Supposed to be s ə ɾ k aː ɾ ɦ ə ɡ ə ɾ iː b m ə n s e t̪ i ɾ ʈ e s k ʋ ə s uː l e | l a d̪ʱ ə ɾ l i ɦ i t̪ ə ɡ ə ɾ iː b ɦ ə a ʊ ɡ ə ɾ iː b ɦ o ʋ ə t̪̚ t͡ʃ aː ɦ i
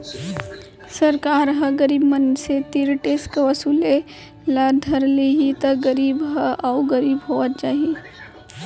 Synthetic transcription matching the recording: s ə ɾ k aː ɾ ɦ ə ɡ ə ɾ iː b m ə n s e t̪ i ɾ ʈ e s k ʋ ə s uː l e | l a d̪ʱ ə ɾ l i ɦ i t̪ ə ɡ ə ɾ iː b ɦ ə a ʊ ɡ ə ɾ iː b ɦ o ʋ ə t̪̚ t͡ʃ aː ɦ i